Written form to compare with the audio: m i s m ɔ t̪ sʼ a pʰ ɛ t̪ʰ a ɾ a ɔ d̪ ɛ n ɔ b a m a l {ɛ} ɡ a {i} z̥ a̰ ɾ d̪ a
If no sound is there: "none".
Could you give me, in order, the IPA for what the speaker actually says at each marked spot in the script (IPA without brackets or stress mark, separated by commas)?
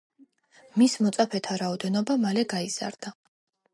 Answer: ɛ, i